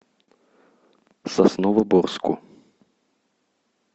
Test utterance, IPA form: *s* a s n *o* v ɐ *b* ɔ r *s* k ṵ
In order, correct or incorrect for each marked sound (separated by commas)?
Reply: correct, incorrect, correct, correct